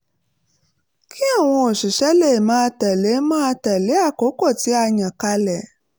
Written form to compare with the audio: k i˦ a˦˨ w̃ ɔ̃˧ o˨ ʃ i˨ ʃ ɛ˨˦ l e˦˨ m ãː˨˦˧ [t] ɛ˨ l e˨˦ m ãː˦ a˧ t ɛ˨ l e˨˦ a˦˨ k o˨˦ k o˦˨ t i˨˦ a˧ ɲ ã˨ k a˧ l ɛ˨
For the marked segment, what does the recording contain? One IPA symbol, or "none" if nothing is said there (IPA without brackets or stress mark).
t